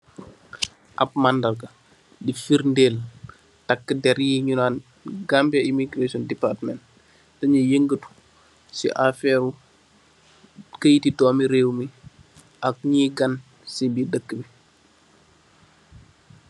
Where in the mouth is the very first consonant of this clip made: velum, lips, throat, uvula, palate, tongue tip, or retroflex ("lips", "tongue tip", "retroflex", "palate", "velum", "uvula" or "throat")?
throat